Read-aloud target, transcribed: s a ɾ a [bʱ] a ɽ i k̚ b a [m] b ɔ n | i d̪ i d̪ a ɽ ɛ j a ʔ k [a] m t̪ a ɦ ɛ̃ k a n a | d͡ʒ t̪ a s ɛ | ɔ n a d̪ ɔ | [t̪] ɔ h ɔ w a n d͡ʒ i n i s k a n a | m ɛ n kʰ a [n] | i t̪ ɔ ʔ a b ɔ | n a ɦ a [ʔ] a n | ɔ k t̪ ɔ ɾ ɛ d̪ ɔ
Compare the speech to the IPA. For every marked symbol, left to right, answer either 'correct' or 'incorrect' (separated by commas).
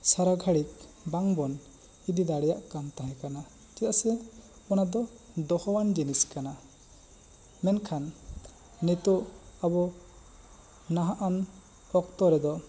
incorrect, incorrect, correct, incorrect, incorrect, correct